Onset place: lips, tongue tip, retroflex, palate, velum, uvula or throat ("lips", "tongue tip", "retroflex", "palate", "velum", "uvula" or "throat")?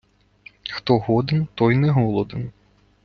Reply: velum